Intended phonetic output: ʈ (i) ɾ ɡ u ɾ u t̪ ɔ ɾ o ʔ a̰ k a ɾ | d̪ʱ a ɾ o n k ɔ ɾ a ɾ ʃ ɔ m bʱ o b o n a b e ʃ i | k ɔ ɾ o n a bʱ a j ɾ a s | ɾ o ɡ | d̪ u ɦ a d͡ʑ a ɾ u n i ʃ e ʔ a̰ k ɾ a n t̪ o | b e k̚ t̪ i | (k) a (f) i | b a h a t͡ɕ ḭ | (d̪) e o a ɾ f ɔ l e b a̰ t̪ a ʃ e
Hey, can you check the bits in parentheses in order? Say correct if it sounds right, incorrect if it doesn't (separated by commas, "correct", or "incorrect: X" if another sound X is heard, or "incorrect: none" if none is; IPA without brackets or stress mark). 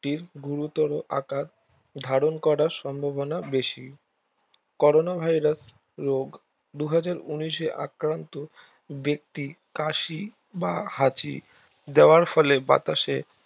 correct, correct, incorrect: ʃ, correct